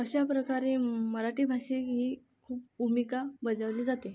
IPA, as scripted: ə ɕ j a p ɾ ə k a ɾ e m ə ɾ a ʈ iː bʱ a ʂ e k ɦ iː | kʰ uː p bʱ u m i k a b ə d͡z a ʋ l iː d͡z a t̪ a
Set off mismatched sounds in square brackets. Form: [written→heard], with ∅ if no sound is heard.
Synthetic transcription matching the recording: ə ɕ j a p ɾ ə k a ɾ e m ə ɾ a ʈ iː bʱ a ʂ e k ɦ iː | kʰ uː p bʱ u m i k a b ə d͡z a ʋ l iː d͡z a t̪ [a→e]

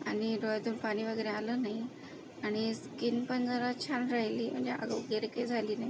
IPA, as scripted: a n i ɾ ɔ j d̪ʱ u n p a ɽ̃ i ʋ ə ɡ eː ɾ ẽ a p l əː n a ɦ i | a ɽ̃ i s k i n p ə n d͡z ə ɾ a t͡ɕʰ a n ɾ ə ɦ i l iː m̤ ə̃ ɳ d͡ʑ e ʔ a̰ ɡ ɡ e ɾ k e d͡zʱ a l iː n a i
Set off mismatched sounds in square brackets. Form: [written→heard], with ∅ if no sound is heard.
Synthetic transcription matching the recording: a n i ɾ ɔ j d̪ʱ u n p a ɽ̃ i ʋ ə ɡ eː ɾ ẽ a [p→∅] l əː n a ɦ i | a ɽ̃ i s k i n p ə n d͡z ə ɾ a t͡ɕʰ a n ɾ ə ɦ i l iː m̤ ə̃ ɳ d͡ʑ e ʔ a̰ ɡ ɡ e ɾ k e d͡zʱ a l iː n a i

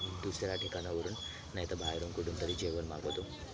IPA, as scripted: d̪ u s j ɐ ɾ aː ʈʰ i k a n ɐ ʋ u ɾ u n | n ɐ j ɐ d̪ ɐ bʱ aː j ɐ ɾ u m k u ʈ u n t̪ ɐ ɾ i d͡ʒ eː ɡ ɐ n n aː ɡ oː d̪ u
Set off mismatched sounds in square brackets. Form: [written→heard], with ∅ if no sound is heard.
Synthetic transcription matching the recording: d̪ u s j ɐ ɾ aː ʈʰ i k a n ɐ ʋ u ɾ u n | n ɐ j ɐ [d̪→t̪] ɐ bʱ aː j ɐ ɾ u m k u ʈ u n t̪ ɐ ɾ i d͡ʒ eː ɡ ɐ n [n→m] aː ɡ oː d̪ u

